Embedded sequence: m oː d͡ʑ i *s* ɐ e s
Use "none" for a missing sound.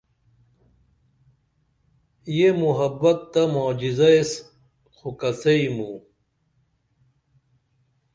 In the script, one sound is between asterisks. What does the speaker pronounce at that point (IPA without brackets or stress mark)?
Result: z